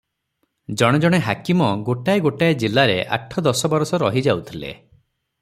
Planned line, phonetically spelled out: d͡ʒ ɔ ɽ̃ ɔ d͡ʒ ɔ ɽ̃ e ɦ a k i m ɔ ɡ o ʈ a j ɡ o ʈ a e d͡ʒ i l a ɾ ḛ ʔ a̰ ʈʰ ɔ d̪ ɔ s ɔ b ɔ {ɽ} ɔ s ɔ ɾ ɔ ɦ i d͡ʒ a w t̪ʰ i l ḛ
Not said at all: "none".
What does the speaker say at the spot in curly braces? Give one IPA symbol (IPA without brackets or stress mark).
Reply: ɾ